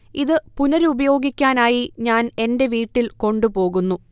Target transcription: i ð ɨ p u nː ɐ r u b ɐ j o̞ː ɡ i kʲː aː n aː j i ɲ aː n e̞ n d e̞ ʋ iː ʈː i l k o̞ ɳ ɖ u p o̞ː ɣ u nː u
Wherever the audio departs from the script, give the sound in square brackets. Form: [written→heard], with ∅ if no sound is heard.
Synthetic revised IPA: i ð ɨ p u [nː→n] ɐ [r→ɾ] u b ɐ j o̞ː ɡ i kʲː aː n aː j i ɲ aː n e̞ n d e̞ ʋ iː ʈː i l k o̞ ɳ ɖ u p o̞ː ɣ u nː u